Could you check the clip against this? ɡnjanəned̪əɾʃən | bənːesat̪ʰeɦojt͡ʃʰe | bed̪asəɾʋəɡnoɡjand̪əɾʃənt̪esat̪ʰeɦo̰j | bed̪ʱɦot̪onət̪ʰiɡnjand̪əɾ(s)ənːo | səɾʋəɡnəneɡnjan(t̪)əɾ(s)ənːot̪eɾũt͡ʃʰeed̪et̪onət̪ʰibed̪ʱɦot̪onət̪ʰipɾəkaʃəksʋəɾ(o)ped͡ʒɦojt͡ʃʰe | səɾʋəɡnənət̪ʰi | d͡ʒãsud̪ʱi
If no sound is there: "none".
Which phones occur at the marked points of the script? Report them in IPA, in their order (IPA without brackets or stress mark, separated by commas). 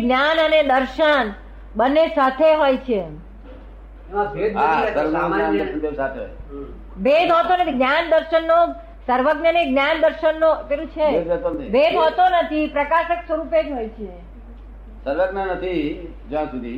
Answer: ʃ, d̪, ʃ, u